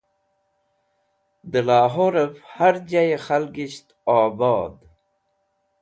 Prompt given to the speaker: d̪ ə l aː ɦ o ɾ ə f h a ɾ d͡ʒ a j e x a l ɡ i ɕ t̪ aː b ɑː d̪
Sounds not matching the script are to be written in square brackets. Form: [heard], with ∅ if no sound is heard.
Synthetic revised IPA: d̪ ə l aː ɦ o ɾ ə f h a ɾ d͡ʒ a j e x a l ɡ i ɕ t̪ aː b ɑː d̪